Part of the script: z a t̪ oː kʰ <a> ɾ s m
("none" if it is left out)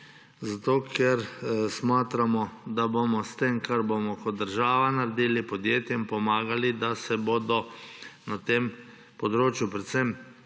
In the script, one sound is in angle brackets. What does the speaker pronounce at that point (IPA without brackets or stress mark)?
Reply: ɛ